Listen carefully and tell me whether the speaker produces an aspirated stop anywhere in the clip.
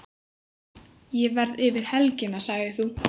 no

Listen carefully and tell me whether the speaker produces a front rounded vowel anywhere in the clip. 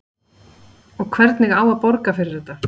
no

